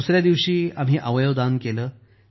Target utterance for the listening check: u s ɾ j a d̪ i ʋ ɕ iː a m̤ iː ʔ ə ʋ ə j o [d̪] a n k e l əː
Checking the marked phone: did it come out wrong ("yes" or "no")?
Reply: no